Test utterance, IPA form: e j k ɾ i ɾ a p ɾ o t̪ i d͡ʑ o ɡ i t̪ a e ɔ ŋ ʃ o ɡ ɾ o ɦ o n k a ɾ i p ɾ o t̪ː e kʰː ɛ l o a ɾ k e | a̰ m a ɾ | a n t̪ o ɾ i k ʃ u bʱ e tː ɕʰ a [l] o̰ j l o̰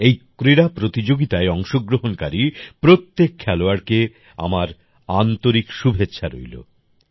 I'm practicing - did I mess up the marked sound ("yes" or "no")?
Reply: yes